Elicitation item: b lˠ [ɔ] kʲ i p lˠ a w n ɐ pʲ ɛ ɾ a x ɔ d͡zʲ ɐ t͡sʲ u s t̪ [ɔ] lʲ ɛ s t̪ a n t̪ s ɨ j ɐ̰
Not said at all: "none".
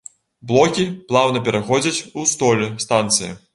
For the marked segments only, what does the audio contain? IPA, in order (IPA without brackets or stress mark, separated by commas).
ɔ, ɔ